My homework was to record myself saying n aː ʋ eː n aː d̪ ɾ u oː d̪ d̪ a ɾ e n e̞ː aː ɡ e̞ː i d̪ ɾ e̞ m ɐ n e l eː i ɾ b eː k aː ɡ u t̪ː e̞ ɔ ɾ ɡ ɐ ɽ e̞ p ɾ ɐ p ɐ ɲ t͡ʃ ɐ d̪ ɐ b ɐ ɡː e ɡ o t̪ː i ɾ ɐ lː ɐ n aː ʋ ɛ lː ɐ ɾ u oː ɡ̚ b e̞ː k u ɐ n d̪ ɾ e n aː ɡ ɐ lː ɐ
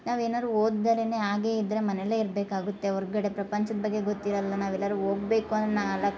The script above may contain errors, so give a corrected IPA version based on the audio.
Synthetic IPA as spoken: n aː ʋ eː n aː d̪ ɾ u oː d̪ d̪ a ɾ e n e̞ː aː ɡ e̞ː i d̪ ɾ e̞ m ɐ n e l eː i ɾ b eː k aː ɡ u t̪ː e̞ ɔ ɾ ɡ ɐ ɽ e̞ p ɾ ɐ p ɐ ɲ t͡ʃ ɐ d̪ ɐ b ɐ ɡː e ɡ o t̪ː i ɾ ɐ lː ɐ n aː ʋ ɛ lː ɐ ɾ u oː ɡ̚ b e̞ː k u ɐ n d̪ ɾ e n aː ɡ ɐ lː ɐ